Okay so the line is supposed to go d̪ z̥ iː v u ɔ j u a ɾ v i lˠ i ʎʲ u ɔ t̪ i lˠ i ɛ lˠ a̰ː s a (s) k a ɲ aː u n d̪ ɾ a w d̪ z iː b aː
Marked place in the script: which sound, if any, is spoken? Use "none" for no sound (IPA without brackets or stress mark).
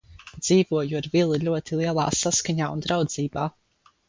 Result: s